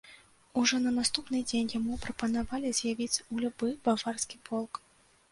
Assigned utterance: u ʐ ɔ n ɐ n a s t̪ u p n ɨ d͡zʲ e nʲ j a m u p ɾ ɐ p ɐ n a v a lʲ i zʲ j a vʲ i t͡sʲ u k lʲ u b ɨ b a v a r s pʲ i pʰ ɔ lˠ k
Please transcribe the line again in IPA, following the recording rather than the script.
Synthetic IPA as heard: u ʐ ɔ n ɐ n a s t̪ u p n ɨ d͡zʲ e nʲ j a m u p ɾ ɐ p ɐ n a v a lʲ i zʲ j a vʲ i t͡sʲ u lʲ u b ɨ b a v a r s kʲ i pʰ ɔ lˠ k

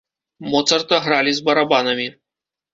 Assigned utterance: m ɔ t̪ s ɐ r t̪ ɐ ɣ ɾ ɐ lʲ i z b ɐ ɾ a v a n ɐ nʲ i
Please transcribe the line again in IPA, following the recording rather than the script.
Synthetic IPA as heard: m ɔ t̪ s ɐ r t̪ ɐ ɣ ɾ a lʲ i z b ɐ ɾ a b a n ɐ mʲ i

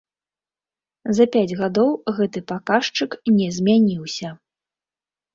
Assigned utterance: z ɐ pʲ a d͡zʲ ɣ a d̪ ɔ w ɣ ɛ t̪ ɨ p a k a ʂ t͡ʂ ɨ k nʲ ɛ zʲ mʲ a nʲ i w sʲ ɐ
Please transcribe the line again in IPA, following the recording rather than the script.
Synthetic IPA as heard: z ɐ pʲ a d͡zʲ ɣ a d̪ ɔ w ɣ ɛ t̪ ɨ p a k a ʂ t͡ʂ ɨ k nʲ ɛ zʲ mʲ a nʲ i w sʲ ɐ

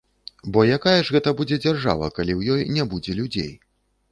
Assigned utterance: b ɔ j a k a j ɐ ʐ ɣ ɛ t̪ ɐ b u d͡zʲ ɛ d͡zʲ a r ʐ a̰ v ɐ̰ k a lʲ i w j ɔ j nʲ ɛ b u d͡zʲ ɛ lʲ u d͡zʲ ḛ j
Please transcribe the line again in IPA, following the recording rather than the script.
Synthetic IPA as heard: b ɔ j a k a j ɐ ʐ ɣ ɛ t̪ ɐ b u d͡zʲ ɛ d͡zʲ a r ʐ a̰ v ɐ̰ k a lʲ i w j ɔ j nʲ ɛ b u d͡zʲ ɛ lʲ u d͡zʲ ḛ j

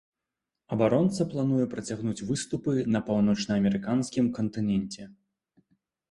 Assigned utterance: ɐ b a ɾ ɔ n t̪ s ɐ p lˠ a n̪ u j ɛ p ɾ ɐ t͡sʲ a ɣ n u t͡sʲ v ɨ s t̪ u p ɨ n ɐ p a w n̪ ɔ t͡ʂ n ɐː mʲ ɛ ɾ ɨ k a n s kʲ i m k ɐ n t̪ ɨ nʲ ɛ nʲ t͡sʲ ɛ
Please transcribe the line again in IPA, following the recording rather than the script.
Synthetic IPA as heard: ɐ b a ɾ ɔ n t̪ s ɐ p lˠ a n̪ u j ɛ p ɾ ɐ t͡sʲ a ɣ n u t͡sʲ v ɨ s t̪ u p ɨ n ɐ p a w n̪ ɔ t͡ʂ n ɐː mʲ ɛ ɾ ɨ k a n s kʲ i m k ɐ n t̪ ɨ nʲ ɛ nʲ t͡sʲ ɛ

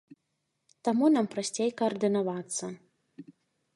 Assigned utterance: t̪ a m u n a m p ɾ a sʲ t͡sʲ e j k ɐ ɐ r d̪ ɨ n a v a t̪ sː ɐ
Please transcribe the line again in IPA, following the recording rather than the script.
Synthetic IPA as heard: t̪ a m u n a m p ɾ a sʲ t͡sʲ e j k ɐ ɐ r d̪ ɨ n a v a t̪ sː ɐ

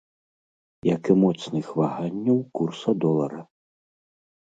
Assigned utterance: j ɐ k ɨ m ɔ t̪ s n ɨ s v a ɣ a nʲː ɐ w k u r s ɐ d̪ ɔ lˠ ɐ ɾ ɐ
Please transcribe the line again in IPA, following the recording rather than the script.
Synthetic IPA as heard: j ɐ k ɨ m ɔ t̪ s n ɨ x v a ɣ a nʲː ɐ w k u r s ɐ d̪ ɔ lˠ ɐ ɾ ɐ

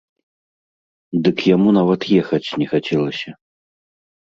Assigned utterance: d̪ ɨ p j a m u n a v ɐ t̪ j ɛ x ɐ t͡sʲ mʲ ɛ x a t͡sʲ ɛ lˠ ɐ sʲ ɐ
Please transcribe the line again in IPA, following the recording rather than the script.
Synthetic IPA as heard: d̪ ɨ k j a m u n a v ɐ t̪ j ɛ x ɐ t͡sʲ nʲ ɛ x a t͡sʲ ɛ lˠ ɐ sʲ ɐ

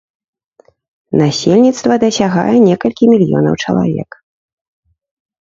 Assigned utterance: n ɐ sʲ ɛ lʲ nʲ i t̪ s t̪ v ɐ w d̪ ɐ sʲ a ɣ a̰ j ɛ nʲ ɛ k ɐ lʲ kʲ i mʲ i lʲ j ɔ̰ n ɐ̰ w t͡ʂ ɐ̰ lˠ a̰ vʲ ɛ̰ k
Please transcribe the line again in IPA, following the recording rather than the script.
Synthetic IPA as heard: n a sʲ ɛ lʲ nʲ i t̪ s t̪ v ɐ d̪ ɐ sʲ a ɣ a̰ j ɛ nʲ ɛ k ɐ lʲ kʲ i mʲ i lʲ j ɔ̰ n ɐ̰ w t͡ʂ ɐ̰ lˠ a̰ vʲ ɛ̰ k

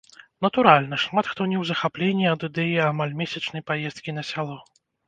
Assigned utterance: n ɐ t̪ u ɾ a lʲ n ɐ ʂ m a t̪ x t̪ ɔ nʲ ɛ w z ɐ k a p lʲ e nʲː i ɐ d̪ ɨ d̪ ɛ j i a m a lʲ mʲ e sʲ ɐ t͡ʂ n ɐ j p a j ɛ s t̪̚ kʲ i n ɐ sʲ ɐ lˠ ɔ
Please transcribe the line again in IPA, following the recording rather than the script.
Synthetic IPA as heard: n ɐ t̪ u ɾ a lʲ n ɐ ʂ m a t̪ x t̪ ɔ nʲ ɛ w z ɐ x a p lʲ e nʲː i ɐ d̪ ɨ d̪ ɛ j i a m a lʲ mʲ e sʲ ɐ t͡ʂ n ɐ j p a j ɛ s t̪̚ kʲ i n ɐ sʲ a lˠ ɔ

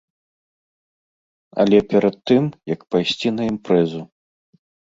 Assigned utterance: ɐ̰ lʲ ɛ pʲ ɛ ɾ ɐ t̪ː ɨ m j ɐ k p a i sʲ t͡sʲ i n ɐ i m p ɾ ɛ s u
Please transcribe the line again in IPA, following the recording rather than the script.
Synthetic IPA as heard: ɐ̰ lʲ ɛ pʲ ɛ ɾ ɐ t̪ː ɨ m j ɐ k p a j sʲ t͡sʲ i n ɐ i m p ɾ ɛ z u

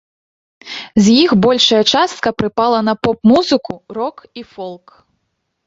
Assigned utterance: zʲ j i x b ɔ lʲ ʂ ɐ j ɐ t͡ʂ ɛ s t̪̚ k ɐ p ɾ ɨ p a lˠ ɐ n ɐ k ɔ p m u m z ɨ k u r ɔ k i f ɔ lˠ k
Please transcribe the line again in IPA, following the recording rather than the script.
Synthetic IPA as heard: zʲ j i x b ɔ lʲ ʂ ɐ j ɐ t͡ʂ a s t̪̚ k ɐ p ɾ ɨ p a lˠ ɐ n ɐ p ɔ p m u z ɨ k u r ɔ k i f ɔ lˠ k

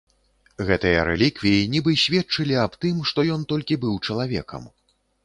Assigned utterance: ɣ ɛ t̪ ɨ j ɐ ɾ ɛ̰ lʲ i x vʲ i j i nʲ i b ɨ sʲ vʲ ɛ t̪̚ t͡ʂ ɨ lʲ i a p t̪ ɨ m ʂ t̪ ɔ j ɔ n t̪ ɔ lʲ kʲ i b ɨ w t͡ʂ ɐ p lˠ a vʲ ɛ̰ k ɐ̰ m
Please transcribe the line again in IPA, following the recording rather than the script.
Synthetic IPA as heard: ɣ ɛ t̪ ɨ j ɐ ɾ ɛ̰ lʲ i k vʲ i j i nʲ i b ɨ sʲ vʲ ɛ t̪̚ t͡ʂ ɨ lʲ i a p t̪ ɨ m ʂ t̪ ɔ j ɔ n t̪ ɔ lʲ kʲ i b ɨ w t͡ʂ ɐ lˠ a vʲ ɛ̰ k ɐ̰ m

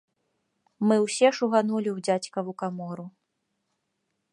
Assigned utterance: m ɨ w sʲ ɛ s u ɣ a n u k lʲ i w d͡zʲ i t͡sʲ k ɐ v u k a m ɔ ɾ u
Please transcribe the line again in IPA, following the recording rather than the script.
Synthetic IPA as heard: m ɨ w sʲ ɛ ʂ u ɣ a n u lʲ i w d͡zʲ a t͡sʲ k ɐ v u k a m ɔ ɾ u

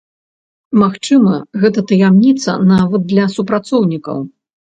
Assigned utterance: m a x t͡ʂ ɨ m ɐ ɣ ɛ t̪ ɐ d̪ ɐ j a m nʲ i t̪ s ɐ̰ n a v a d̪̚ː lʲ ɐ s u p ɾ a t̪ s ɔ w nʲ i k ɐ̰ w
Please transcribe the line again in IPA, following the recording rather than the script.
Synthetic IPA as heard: m a x t͡ʂ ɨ m ɐ ɣ ɛ t̪ ɐ t̪ ɐ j a m nʲ i t̪ s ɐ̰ n a v ɐ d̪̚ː lʲ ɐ s u p ɾ a t̪ s ɔ w nʲ i k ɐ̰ w

